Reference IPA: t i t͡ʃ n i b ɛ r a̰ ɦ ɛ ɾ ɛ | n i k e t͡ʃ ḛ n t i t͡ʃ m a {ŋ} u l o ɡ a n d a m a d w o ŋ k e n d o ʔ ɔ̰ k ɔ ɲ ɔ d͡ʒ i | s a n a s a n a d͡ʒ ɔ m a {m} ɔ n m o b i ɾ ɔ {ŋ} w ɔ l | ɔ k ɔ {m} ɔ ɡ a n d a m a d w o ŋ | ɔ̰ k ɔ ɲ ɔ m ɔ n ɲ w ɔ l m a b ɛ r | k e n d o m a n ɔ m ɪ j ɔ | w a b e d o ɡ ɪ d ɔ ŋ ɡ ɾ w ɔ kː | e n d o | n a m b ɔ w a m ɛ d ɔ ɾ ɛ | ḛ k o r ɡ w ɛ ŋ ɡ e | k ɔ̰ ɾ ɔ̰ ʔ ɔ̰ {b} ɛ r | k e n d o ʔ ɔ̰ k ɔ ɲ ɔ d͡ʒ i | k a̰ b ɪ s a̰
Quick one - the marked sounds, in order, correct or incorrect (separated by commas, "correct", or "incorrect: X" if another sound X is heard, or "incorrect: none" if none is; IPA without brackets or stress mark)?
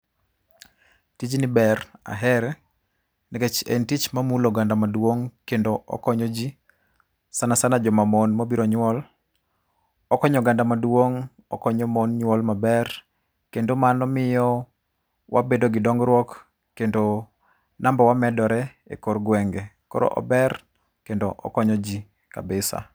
incorrect: m, correct, incorrect: ɲ, incorrect: ɲ, correct